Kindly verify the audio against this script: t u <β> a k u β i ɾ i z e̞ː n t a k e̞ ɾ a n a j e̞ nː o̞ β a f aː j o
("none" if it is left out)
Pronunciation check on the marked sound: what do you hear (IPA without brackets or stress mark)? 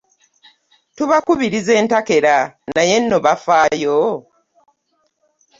β